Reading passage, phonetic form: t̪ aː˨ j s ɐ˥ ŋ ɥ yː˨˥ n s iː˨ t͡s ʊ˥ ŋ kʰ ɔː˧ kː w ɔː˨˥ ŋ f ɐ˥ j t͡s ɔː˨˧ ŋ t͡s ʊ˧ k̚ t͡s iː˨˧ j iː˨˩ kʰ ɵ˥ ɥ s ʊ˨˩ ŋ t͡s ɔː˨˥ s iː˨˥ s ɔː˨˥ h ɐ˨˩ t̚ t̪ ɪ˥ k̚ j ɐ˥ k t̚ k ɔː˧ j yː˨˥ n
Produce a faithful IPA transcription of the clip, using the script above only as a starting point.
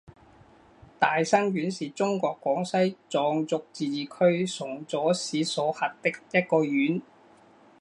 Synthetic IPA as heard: t̪ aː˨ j s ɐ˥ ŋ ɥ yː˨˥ n s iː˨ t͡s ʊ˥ ŋ k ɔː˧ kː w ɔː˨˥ ŋ s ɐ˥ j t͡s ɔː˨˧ ŋ t͡s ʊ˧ k̚ t͡s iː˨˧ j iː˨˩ kʰ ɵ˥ ɥ s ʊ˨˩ ŋ t͡s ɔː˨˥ s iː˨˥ s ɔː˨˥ h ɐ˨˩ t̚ t̪ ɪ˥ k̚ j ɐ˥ t̚ k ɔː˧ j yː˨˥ n